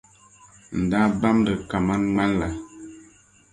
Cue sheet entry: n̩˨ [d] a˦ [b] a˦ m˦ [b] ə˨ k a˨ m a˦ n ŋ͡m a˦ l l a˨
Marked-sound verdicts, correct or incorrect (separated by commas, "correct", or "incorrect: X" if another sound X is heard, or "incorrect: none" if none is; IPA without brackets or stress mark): correct, correct, incorrect: d